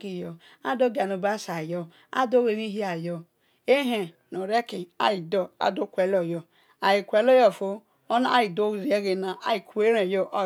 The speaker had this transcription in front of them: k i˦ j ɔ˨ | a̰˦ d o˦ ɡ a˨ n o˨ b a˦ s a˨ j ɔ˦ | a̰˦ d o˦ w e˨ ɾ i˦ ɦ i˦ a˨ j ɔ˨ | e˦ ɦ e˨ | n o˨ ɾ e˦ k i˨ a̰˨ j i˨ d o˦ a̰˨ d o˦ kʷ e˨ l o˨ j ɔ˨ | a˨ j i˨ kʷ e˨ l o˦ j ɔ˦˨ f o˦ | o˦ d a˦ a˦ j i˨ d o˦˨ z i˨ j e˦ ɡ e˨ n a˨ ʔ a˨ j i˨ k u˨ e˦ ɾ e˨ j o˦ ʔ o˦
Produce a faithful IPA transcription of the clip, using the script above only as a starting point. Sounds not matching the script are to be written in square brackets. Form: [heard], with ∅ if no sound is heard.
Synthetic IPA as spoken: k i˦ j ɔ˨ | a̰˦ d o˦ ɡ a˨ n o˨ b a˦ s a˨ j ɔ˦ | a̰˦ d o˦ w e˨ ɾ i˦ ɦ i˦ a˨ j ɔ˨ | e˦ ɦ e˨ | n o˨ ɾ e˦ k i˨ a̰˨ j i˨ d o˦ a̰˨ d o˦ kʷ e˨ l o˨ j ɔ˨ | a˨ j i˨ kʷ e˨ l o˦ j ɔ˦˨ f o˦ | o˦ [n] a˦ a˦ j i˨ d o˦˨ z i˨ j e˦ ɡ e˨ n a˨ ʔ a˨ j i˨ k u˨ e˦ ɾ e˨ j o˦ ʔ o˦